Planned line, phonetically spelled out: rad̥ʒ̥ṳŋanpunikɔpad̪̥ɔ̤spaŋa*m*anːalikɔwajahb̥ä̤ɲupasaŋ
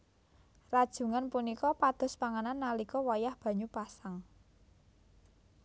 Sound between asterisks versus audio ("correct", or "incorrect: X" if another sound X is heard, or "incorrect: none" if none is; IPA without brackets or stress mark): incorrect: n